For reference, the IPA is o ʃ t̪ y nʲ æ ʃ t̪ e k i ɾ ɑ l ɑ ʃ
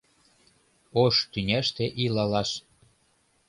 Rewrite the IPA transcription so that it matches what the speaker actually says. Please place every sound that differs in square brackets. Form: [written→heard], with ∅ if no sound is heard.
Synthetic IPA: o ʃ t̪ y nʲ æ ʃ t̪ e [k→ʔ] i [ɾ→l] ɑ l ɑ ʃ

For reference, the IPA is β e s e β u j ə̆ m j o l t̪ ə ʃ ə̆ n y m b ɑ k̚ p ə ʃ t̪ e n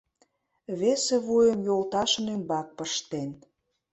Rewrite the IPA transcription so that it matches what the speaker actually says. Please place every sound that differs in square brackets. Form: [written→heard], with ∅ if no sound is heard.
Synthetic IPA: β e s e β u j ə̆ m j o l t̪ [ə→ɑ] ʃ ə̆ n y m b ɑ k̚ p ə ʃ t̪ e n

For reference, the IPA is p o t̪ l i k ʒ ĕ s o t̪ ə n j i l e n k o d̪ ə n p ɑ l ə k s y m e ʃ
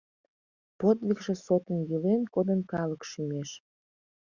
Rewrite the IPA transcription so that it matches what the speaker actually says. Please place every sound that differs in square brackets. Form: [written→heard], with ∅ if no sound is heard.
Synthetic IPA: p o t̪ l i k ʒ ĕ s o t̪ ə n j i l e n k o d̪ ə n [p→k] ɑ l ə k [s→ʃ] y m e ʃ

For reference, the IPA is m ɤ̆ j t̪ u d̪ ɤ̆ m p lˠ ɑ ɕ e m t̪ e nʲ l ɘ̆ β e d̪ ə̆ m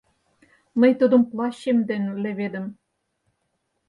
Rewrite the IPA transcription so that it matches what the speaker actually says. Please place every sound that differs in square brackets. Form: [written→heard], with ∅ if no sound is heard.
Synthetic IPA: m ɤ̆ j t̪ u d̪ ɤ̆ m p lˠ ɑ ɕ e m [t̪→d̪] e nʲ l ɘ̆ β e d̪ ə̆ m

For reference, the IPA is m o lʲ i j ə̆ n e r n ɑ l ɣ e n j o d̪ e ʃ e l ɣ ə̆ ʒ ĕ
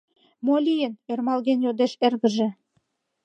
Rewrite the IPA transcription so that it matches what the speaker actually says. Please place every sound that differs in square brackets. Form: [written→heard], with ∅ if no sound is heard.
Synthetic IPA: m o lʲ i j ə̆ n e r [n→m] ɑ l ɣ e n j o d̪ e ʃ e [l→r] ɣ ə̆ ʒ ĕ

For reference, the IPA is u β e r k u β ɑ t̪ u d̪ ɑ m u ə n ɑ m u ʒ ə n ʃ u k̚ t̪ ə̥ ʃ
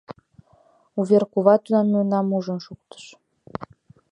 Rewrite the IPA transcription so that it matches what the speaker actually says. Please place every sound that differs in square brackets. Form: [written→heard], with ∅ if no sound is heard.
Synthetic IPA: u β e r k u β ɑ t̪ u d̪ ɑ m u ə n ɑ m u ʒ ə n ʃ u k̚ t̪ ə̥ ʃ

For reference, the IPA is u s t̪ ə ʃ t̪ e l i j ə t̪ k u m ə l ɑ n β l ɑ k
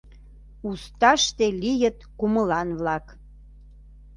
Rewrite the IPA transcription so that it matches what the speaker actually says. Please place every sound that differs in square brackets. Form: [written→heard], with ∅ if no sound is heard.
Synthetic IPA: u s t̪ [ə→ɑ] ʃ t̪ e l i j ə t̪ k u m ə l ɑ n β l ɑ k

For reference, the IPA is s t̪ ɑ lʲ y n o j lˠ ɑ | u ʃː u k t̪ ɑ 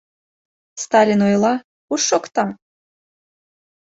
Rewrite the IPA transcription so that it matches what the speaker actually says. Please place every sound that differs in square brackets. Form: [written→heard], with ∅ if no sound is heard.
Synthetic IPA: s t̪ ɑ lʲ [y→i] n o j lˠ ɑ | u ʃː [u→o] k t̪ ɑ

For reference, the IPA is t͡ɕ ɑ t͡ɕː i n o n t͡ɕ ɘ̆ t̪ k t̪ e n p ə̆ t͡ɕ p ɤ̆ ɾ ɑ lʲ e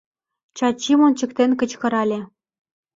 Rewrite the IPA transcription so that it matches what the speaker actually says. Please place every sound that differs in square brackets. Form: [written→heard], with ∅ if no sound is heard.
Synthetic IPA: t͡ɕ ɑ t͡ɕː i [n→m] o n t͡ɕ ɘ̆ [t̪→∅] k t̪ e n [p→k] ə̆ t͡ɕ [p→k] ɤ̆ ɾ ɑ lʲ e

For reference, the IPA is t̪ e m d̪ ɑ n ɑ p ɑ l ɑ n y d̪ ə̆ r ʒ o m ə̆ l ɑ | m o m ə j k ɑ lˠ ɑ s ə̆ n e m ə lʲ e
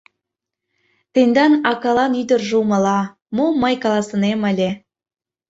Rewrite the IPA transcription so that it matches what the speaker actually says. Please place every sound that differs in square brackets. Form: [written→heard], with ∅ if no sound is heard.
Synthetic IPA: t̪ e [m→n] d̪ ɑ n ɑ [p→k] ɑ l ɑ n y d̪ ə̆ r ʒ [o→u] m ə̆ l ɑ | m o m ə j k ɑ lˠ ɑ s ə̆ n e m ə lʲ e

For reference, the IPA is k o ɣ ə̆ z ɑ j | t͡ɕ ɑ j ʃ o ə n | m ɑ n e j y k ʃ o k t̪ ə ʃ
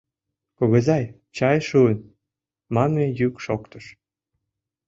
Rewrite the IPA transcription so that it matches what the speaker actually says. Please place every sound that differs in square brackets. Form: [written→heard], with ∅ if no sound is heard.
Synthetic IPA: k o ɣ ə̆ z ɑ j | t͡ɕ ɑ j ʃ [o→u] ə n | m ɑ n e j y k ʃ o k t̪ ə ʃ

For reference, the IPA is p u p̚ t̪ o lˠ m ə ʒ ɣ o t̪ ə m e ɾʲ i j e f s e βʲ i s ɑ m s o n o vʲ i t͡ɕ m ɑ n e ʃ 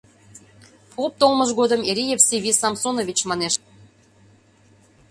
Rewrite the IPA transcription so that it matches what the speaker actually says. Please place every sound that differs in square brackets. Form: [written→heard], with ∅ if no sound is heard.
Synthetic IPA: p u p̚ t̪ o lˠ m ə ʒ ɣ o [t̪→d̪] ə m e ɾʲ i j e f s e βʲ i s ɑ m s o n o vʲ i t͡ɕ m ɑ n e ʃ

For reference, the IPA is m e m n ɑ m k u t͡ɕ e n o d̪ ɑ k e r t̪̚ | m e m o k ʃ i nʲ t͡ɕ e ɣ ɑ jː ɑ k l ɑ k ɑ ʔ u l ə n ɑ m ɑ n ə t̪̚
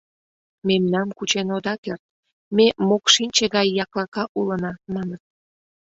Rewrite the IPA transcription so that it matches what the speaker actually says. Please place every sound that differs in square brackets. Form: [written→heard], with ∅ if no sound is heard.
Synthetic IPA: m e m n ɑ m k u t͡ɕ e n o d̪ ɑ k e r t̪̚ | m e m o k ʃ i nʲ t͡ɕ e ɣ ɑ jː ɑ k l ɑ k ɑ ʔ u l ə n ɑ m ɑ n ə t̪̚

